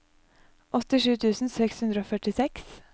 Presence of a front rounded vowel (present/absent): present